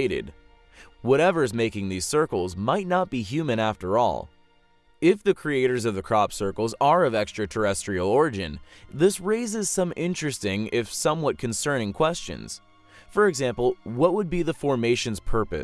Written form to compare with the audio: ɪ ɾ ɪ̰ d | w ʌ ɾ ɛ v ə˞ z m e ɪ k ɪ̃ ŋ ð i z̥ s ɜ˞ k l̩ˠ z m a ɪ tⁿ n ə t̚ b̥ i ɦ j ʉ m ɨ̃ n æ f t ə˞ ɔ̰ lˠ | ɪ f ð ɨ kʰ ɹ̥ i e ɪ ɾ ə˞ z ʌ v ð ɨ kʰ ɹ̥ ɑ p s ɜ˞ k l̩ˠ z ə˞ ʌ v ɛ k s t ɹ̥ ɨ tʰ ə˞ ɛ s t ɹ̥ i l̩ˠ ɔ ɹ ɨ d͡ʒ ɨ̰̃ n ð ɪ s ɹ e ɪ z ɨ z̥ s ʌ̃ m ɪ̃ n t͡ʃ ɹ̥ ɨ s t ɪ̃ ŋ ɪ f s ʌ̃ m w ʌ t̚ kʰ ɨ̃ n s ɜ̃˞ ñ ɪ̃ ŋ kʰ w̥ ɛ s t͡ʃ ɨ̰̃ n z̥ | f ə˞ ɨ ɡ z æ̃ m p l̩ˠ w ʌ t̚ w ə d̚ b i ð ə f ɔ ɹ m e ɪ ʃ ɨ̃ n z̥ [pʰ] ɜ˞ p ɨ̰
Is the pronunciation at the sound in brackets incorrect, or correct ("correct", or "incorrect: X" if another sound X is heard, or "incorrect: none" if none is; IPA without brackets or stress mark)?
correct